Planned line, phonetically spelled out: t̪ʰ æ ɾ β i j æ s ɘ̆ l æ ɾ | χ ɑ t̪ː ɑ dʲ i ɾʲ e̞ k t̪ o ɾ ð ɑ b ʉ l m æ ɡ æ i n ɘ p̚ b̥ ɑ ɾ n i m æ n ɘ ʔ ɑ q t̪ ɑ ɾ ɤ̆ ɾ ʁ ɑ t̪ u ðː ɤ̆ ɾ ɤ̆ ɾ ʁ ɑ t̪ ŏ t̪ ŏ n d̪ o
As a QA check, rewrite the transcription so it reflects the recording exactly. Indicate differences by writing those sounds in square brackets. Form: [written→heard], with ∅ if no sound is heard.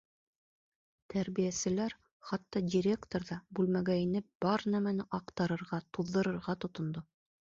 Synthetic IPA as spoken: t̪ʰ æ ɾ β i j æ s ɘ̆ l æ ɾ | χ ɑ t̪ː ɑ dʲ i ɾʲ e̞ k t̪ o ɾ ð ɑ b ʉ l m æ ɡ æ i n ɘ p̚ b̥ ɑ ɾ n [i→æ] m æ n ɘ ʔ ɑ q t̪ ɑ ɾ ɤ̆ ɾ ʁ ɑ t̪ u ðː ɤ̆ ɾ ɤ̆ ɾ ʁ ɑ t̪ ŏ t̪ ŏ n d̪ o